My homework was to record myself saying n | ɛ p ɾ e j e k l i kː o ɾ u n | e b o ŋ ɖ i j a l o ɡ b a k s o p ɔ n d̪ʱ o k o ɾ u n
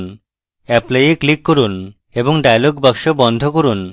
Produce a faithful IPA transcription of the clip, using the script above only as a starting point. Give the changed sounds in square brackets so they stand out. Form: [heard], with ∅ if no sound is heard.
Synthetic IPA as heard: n | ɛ p [l] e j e k l i kː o ɾ u n | e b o ŋ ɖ [a] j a l o ɡ b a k [ʃ] o [b] ɔ n d̪ʱ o k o ɾ u n